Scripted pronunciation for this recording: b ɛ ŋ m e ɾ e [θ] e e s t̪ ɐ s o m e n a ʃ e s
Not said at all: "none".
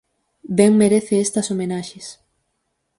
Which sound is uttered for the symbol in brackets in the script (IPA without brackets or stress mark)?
θ